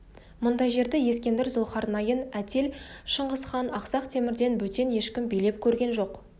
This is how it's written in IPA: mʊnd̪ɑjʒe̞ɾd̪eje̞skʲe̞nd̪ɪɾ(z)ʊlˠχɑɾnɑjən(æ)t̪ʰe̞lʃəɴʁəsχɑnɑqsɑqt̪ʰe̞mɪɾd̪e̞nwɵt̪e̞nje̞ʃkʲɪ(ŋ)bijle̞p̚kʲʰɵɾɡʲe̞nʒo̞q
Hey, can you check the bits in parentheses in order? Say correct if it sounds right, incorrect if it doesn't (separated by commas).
correct, correct, incorrect